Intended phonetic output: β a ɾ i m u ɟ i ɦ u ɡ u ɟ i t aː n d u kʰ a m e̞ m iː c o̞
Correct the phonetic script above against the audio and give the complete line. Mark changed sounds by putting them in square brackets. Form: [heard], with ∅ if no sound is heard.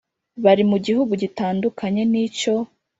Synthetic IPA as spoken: β a ɾ i m u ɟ i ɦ u ɡ u ɟ i t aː n d u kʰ a [ɲ] e̞ [n] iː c o̞